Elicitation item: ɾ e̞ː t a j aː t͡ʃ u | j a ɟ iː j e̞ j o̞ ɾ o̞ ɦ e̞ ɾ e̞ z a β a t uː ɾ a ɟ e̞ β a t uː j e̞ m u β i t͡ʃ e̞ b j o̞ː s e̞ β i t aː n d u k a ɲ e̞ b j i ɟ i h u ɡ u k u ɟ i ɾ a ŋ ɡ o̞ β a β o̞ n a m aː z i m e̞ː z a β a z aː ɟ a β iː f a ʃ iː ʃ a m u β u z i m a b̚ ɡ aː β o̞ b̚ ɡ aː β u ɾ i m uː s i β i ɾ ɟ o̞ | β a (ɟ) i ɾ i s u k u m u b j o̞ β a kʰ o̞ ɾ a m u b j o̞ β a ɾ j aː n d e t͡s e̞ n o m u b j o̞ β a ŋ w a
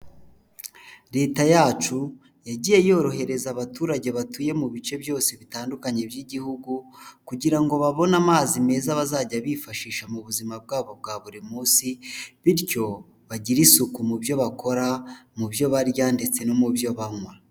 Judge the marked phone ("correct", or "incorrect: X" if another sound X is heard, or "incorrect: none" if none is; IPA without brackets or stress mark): correct